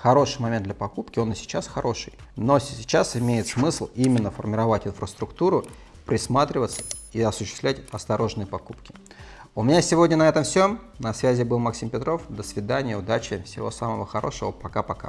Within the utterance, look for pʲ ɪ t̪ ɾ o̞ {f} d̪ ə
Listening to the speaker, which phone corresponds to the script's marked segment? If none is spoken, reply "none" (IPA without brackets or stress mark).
f